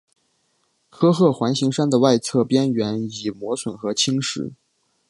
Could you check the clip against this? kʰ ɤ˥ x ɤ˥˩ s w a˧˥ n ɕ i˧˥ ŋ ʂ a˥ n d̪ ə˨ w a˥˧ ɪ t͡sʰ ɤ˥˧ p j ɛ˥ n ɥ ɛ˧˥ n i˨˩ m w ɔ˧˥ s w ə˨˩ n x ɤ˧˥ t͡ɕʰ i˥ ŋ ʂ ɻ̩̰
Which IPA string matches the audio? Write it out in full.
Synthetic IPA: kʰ ɤ˥ x ɤ˥˩ x w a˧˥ n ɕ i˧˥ ŋ ʂ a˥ n d̪ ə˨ w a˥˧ ɪ t͡sʰ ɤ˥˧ p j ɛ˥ n ɥ ɛ˧˥ n i˨˩ m w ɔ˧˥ s w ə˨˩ n x ɤ˧˥ t͡ɕʰ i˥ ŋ ʂ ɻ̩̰

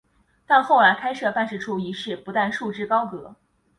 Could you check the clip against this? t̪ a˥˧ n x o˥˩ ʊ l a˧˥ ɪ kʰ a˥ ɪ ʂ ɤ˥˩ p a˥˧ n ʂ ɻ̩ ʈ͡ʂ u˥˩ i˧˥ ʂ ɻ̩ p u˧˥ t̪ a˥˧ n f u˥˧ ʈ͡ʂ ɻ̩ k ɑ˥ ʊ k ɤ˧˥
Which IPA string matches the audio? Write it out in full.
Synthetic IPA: t̪ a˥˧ n x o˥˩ ʊ l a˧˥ ɪ kʰ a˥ ɪ ʂ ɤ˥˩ p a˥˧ n ʂ ɻ̩ ʈ͡ʂʰ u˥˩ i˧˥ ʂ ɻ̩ p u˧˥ t̪ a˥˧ n ʂ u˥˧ ʈ͡ʂ ɻ̩ k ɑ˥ ʊ k ɤ˧˥

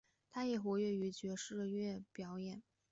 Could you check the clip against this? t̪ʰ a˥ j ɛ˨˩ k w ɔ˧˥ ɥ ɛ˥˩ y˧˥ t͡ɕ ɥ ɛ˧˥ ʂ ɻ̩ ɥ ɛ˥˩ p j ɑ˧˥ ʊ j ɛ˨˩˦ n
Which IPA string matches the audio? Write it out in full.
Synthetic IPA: t̪ʰ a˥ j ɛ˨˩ x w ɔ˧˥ ɥ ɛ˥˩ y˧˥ t͡ɕ ɥ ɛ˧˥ ʂ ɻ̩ ɥ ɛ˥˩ p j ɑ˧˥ ʊ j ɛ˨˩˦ n

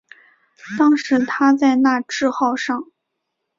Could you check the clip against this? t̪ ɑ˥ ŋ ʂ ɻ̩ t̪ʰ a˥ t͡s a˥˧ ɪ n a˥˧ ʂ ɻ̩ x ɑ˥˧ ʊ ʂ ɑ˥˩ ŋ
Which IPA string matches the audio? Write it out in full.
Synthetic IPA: t̪ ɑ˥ ŋ ʂ ɻ̩ t̪ʰ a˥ t͡s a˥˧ ɪ n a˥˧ ʈ͡ʂ ɻ̩ x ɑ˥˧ ʊ ʂ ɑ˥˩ ŋ

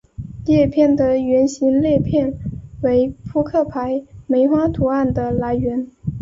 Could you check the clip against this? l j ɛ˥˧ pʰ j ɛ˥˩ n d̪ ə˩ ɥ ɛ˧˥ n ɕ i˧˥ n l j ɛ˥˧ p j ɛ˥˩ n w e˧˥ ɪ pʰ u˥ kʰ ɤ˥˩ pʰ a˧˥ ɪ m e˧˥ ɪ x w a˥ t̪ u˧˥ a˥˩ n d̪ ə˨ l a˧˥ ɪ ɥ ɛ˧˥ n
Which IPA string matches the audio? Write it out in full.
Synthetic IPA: l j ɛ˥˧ pʰ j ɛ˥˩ n d̪ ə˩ ɥ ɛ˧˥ n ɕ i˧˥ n l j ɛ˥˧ pʰ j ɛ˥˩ n w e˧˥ ɪ pʰ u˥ kʰ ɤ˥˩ pʰ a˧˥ ɪ m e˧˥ ɪ x w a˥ t̪ʰ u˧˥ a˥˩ n d̪ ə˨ l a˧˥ ɪ ɥ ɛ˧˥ n

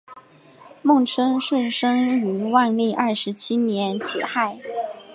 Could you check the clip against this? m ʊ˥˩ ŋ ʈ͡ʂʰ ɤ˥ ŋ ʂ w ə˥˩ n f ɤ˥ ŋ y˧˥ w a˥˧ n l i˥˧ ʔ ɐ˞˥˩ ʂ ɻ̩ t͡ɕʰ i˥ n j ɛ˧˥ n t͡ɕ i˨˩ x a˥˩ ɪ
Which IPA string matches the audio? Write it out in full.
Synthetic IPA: m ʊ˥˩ ŋ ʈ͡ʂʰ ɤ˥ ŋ ʂ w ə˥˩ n ʂ ɤ˥ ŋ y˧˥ w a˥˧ n l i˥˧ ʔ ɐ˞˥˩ ʂ ɻ̩ t͡ɕʰ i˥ n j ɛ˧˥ n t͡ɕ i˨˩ x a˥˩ ɪ

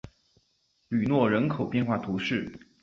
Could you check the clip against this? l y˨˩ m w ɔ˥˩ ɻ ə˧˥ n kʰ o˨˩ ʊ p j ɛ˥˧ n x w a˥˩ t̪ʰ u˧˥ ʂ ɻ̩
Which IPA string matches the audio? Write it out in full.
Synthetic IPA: l y˨˩ n w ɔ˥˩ ɻ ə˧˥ n kʰ o˨˩ ʊ p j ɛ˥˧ n x w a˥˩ t̪ʰ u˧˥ ʂ ɻ̩

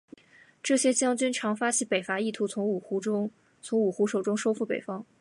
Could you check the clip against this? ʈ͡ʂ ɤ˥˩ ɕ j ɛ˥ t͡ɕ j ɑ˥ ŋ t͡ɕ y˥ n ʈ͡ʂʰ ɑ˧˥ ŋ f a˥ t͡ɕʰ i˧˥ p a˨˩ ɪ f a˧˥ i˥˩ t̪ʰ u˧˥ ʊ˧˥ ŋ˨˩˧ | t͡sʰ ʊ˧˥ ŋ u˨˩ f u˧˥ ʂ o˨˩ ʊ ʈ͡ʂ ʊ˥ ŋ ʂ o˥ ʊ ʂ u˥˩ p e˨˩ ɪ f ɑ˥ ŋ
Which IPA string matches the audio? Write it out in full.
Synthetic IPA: ʈ͡ʂ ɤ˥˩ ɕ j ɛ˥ t͡ɕ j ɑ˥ ŋ t͡ɕ y˥ n ʈ͡ʂʰ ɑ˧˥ ŋ f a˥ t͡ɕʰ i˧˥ p e˨˩ ɪ f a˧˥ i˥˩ t̪ʰ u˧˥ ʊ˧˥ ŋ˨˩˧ | t͡sʰ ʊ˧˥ ŋ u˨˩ x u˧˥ ʂ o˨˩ ʊ ʈ͡ʂ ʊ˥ ŋ ʂ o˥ ʊ f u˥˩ p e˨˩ ɪ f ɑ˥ ŋ

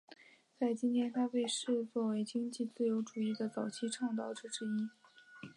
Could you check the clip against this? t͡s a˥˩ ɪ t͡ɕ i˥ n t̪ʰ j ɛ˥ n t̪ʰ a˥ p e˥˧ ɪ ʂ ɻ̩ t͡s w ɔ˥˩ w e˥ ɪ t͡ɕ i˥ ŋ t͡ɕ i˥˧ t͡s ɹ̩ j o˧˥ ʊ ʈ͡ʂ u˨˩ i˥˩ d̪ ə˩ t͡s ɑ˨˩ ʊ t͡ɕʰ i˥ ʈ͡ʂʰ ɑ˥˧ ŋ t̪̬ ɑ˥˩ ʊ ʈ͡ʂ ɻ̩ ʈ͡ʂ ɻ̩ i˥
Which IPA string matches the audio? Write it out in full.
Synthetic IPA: t͡s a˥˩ ɪ t͡ɕ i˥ n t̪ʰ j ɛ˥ n t̪ʰ a˥ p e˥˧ ɪ ʂ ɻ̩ t͡s w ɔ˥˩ w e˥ ɪ t͡ɕ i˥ ŋ t͡ɕ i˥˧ t͡s ɹ̩ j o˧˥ ʊ ʈ͡ʂ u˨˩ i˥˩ d̪ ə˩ t͡s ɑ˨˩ ʊ t͡ɕʰ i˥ ʈ͡ʂʰ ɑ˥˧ ŋ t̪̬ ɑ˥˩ ʊ ʈ͡ʂ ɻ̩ ʈ͡ʂ ɻ̩ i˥

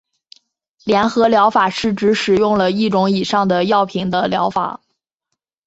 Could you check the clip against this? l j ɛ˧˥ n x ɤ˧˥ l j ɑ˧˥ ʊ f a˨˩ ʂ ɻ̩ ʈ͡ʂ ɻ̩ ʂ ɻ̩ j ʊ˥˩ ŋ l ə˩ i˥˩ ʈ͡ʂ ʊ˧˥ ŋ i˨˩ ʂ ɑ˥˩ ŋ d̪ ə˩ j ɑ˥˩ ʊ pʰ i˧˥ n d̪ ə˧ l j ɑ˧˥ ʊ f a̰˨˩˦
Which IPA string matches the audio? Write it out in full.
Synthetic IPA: l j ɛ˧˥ n x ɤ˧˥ l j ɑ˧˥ ʊ f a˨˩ ʂ ɻ̩ ʈ͡ʂ ɻ̩ ʂ ɻ̩ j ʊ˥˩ ŋ l ə˩ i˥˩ ʈ͡ʂ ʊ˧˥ ŋ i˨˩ ʂ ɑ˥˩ ŋ d̪ ə˩ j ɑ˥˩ ʊ pʰ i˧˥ ŋ d̪ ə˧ l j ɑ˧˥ ʊ f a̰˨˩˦

